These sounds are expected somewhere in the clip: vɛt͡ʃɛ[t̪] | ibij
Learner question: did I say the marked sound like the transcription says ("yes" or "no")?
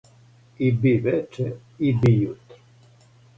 no